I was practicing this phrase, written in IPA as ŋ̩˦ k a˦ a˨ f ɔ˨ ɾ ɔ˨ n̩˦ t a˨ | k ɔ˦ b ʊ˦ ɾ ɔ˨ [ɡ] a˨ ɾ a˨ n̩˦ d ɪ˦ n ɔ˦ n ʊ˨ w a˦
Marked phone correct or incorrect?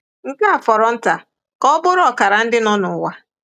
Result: incorrect: k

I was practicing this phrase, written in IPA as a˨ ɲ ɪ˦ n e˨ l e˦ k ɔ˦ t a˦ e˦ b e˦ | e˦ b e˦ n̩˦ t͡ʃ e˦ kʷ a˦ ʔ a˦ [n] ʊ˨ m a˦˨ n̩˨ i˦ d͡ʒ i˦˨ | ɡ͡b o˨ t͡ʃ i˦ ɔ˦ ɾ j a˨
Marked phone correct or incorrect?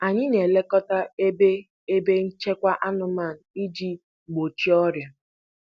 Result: correct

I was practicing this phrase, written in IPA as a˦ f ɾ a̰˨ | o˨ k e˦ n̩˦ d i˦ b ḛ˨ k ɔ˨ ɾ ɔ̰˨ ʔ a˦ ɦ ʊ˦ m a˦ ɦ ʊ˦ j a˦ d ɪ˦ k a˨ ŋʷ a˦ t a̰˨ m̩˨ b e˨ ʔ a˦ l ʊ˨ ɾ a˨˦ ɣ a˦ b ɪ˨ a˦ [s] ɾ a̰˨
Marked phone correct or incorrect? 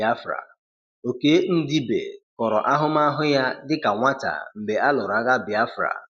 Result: incorrect: f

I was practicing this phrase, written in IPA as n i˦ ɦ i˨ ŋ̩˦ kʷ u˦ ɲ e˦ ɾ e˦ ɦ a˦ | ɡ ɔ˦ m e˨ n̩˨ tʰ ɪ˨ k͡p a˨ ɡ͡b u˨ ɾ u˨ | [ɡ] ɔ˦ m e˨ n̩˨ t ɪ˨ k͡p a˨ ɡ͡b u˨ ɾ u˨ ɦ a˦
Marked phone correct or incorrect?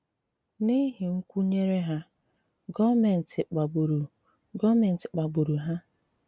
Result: correct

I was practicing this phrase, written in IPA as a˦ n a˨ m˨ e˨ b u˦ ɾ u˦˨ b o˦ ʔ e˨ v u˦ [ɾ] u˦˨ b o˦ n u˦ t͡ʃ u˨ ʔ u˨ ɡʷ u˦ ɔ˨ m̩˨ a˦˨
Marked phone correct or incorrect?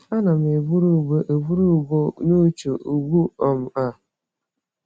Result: correct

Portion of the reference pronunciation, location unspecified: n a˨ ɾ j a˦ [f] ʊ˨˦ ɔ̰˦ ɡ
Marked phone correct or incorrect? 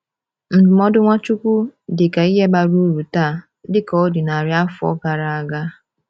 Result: correct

